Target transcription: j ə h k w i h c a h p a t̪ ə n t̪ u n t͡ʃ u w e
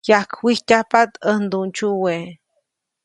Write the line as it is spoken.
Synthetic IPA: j a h k w i h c a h p a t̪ ə n d̪ u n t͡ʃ u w e